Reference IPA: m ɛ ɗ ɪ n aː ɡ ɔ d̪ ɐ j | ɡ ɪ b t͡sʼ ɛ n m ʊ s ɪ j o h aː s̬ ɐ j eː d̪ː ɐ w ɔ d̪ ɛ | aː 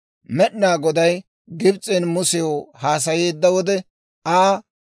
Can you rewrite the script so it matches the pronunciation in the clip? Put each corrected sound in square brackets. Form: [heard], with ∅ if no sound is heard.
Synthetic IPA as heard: m ɛ ɗ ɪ n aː ɡ ɔ d̪ ɐ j | ɡ ɪ b t͡sʼ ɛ n m ʊ s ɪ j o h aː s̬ ɐ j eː d̪ː ɐ w ɔ d̪ ɛ | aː